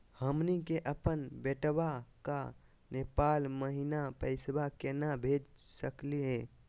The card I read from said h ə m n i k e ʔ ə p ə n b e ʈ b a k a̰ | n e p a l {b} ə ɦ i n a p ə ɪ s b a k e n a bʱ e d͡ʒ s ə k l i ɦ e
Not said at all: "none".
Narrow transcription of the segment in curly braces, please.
m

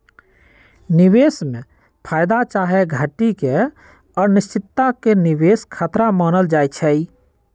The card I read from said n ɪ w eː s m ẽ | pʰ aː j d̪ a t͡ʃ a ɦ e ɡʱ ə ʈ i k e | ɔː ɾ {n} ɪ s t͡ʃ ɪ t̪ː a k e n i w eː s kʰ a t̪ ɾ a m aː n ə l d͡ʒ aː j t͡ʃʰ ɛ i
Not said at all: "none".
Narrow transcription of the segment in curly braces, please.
n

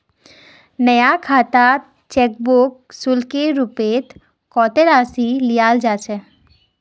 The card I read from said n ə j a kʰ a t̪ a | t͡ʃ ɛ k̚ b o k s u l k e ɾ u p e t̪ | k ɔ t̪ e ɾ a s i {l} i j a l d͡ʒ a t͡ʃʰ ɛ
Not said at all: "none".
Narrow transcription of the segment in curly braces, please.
l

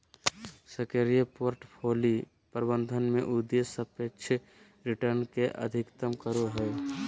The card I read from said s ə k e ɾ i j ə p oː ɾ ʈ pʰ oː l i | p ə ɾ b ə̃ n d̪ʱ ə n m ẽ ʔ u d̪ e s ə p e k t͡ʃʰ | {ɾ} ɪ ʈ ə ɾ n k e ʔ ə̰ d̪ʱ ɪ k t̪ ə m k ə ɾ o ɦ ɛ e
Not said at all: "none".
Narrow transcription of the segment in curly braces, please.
ɾ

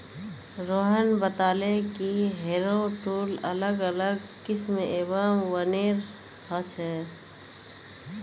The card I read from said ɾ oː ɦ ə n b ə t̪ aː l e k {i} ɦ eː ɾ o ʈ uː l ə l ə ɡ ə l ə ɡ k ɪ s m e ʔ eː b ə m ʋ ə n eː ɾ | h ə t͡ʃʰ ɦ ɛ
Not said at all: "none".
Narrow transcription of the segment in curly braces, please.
i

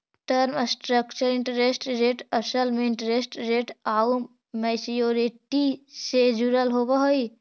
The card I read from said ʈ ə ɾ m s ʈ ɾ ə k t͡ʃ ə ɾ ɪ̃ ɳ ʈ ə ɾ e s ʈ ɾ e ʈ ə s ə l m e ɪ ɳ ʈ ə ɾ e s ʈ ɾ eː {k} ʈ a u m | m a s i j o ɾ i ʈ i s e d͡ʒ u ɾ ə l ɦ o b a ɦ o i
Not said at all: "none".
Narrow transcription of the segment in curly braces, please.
none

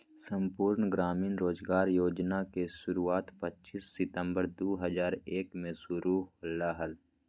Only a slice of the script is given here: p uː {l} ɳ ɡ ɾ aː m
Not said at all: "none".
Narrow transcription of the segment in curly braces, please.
ɾ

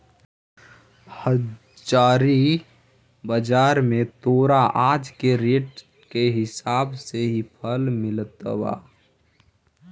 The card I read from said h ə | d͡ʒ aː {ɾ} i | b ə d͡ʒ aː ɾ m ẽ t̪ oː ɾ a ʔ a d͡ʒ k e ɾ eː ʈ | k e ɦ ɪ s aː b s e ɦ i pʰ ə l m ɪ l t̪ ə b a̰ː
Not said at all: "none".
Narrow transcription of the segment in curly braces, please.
ɾ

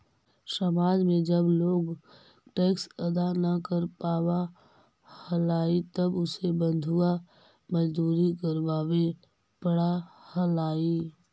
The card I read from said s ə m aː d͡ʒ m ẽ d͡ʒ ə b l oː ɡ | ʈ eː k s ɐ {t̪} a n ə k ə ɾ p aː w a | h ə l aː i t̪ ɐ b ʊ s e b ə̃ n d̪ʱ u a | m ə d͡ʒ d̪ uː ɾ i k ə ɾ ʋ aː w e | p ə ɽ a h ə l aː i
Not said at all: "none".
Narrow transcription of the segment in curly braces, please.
d̪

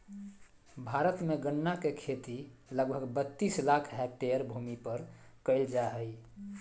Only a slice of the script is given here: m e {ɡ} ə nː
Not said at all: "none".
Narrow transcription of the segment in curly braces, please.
ɡ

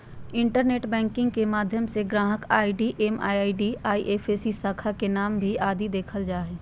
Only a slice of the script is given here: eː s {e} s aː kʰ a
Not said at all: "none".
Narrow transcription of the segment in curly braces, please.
i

